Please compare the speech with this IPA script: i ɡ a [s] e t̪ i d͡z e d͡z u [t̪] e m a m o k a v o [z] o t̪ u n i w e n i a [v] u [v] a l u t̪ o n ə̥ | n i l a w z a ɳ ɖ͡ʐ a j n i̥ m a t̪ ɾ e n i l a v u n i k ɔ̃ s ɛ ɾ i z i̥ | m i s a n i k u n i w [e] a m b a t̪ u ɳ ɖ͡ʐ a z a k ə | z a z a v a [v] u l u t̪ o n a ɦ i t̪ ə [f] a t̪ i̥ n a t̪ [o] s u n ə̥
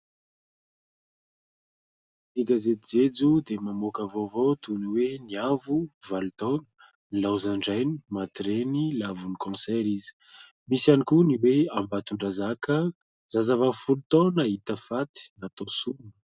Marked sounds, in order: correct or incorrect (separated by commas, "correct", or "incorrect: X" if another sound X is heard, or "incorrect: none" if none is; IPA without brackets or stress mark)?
incorrect: z, incorrect: d̪, incorrect: v, correct, correct, correct, incorrect: f, correct, correct